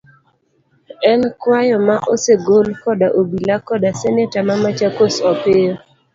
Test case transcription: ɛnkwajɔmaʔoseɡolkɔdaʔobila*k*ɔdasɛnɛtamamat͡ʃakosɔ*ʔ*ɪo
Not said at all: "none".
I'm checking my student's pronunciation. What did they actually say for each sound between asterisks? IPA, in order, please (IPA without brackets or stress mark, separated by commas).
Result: k, p